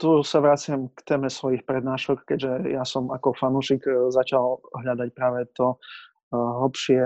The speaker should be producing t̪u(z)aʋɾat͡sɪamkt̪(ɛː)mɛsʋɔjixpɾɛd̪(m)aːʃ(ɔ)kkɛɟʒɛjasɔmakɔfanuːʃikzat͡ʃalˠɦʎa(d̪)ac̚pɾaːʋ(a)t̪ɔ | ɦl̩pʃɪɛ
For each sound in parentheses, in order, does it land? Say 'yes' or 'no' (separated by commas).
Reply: no, yes, no, yes, yes, no